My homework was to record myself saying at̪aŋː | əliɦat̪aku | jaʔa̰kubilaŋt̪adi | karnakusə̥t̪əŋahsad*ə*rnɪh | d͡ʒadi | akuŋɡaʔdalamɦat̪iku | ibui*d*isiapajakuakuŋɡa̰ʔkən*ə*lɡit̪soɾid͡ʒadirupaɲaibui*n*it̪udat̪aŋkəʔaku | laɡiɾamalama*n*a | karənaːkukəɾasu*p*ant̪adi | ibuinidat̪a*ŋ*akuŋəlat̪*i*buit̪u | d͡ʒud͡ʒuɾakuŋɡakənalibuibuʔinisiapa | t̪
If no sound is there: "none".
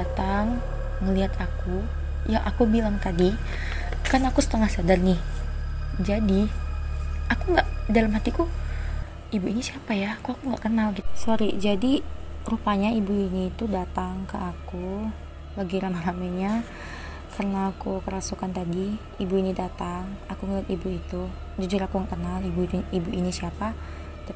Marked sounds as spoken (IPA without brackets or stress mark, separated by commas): a, n, a, n, ɲ, k, ŋ, i